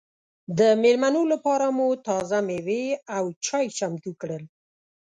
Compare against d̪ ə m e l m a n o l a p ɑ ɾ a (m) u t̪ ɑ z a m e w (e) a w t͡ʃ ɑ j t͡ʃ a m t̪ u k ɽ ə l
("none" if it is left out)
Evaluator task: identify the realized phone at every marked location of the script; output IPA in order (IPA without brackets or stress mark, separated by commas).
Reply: m, e